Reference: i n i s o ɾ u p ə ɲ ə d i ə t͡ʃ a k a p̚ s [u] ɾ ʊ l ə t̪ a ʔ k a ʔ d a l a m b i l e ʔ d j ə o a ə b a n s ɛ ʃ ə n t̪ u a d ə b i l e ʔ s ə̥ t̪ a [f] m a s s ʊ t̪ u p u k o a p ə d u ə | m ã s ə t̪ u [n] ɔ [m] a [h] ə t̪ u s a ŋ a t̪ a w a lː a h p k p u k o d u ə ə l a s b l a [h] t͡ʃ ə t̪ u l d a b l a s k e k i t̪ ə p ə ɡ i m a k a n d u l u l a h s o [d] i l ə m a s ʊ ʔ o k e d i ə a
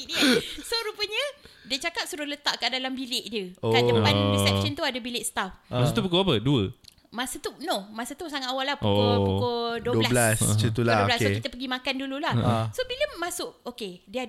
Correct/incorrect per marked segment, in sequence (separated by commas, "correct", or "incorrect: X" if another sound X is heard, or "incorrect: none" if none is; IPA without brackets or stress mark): correct, correct, correct, correct, incorrect: s, incorrect: s, incorrect: b